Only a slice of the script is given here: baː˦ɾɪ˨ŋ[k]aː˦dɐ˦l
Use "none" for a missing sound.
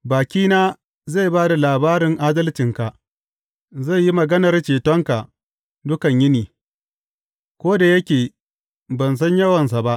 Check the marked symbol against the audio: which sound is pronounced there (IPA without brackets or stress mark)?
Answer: ʔ